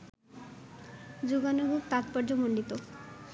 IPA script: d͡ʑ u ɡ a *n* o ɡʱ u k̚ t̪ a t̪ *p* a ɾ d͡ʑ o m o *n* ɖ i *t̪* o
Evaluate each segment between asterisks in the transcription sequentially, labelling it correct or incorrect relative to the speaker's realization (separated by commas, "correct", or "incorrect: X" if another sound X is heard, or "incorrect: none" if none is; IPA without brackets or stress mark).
correct, correct, incorrect: ɳ, correct